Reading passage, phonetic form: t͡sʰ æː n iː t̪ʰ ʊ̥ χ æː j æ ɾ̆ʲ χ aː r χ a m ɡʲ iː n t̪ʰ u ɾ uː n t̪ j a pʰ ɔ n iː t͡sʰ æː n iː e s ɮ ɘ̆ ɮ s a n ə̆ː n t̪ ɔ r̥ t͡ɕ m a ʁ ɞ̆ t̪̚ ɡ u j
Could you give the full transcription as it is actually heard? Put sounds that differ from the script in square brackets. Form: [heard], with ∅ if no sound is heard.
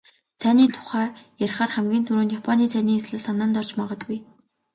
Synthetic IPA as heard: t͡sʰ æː n iː t̪ʰ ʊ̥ χ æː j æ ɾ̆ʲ χ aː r χ [æ] m ɡʲ iː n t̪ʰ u ɾ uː n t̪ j a pʰ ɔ n iː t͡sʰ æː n iː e s ɮ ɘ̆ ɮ s a n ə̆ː n t̪ ɔ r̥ t͡ɕ m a ʁ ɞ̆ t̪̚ ɡ u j